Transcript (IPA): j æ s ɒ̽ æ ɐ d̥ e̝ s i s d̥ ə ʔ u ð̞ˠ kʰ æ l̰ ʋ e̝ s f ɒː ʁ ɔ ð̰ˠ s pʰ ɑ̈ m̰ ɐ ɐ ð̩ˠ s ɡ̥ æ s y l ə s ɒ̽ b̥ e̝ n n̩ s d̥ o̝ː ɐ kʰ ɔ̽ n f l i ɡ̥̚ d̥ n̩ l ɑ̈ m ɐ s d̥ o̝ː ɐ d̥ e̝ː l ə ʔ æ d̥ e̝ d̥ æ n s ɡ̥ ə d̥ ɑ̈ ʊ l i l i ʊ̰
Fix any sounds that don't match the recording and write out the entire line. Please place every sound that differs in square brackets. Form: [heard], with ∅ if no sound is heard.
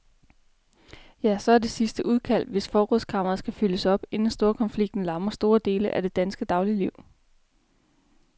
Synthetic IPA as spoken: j æ s ɒ̽ æ ɐ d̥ e̝ s i s d̥ ə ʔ u ð̞ˠ kʰ æ l̰ ʋ e̝ s f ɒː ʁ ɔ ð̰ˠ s [kʰ] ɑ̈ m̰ ɐ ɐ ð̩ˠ s ɡ̥ æ [f] y l ə s ɒ̽ b̥ e̝ n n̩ s d̥ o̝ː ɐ kʰ [ɒ̽] n f l i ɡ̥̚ d̥ n̩ l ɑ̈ m ɐ s d̥ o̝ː ɐ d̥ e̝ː l ə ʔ æ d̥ e̝ d̥ æ n s ɡ̥ ə d̥ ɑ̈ ʊ l i l i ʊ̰